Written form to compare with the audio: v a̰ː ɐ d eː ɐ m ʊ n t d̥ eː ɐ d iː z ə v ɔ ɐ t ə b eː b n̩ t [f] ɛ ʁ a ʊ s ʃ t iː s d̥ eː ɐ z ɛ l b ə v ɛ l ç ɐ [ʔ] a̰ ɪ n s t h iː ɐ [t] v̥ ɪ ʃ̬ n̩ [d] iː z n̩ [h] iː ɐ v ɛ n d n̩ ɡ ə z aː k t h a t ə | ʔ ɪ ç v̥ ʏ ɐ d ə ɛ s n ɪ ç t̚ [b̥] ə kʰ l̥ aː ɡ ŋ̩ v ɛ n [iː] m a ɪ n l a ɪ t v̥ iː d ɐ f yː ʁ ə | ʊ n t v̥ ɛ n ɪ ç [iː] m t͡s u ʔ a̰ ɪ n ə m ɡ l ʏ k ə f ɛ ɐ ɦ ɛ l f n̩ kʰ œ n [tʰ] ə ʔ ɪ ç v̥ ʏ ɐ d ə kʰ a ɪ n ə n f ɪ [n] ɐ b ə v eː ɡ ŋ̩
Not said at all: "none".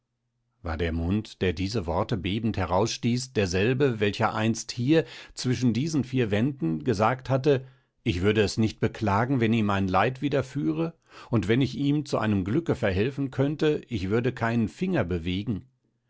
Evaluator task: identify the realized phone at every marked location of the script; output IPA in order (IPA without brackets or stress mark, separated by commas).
h, ʔ, t͡s, d, f, b̥, iː, iː, t, ŋ